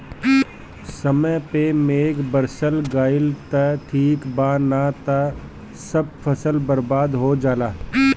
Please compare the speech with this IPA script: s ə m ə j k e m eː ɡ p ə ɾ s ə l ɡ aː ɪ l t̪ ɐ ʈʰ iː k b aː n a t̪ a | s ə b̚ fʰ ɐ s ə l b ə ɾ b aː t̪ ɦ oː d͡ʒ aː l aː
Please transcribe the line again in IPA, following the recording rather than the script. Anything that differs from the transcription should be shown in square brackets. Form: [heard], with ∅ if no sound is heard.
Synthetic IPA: s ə m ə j [p] e m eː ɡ [b] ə ɾ s ə l ɡ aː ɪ l t̪ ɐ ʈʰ iː k b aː n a t̪ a | s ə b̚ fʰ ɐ s ə l b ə ɾ b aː [d̪] ɦ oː d͡ʒ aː l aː